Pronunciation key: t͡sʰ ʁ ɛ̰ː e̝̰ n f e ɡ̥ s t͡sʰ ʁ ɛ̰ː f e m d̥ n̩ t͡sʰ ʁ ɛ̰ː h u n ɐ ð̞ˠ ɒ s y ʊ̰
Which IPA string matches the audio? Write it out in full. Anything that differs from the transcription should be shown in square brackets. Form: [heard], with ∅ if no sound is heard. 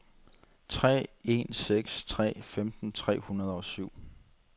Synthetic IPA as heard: t͡sʰ ʁ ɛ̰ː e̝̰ n [s] e ɡ̥ s t͡sʰ ʁ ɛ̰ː f e m d̥ n̩ t͡sʰ ʁ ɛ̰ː h u n ɐ ð̞ˠ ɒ s y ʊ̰